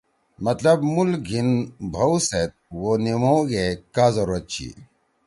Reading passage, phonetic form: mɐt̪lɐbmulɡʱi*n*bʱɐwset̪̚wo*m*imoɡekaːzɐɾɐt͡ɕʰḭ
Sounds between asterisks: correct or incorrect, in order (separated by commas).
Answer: correct, incorrect